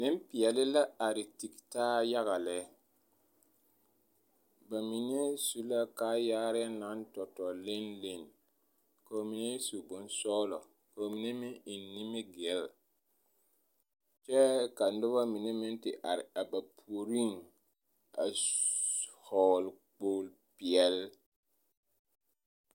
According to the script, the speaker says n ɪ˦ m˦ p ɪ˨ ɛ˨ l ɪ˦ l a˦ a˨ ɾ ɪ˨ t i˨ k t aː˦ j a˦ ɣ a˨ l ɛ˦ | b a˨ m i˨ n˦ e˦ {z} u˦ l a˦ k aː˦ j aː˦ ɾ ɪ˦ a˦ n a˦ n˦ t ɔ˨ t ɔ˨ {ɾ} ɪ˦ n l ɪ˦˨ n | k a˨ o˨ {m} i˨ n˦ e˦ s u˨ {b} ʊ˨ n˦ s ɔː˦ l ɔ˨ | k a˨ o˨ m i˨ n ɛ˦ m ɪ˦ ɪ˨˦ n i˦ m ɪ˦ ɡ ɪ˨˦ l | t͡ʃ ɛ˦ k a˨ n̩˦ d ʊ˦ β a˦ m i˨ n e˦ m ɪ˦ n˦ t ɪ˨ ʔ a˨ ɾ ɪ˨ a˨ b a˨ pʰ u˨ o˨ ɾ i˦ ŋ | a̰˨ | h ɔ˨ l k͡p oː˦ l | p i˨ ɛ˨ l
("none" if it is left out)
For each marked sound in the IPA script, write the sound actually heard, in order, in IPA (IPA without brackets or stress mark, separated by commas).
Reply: s, l, m, b